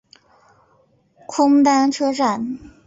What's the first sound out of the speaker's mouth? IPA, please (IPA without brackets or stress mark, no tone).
kʰ